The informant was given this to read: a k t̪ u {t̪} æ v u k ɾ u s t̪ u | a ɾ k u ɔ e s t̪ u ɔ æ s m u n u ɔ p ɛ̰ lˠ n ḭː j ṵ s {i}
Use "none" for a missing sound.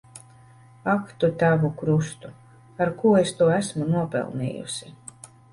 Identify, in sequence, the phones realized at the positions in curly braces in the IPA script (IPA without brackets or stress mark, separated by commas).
t̪, i